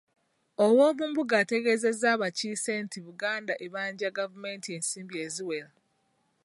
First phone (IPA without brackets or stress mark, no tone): o